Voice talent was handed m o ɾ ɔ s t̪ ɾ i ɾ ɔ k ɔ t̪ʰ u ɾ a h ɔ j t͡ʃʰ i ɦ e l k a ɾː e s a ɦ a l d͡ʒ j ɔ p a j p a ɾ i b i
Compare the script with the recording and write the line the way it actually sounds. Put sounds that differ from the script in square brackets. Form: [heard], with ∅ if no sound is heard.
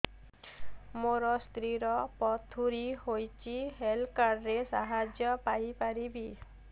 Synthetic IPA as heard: m o ɾ ɔ s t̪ ɾ i ɾ ɔ [p] ɔ t̪ʰ u ɾ [i] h [o] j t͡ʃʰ i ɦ e l k a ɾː e s a ɦ a [∅] d͡ʒ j ɔ p a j p a ɾ i b i